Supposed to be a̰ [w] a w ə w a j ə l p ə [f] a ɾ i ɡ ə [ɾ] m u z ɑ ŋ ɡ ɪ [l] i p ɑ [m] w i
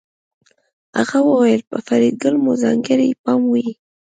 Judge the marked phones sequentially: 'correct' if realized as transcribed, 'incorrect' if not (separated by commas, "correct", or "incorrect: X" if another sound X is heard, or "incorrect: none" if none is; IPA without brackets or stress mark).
incorrect: ɣ, correct, incorrect: l, incorrect: ɾ, correct